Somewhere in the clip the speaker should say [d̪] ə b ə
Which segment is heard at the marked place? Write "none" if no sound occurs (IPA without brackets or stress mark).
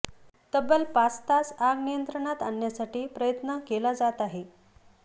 t̪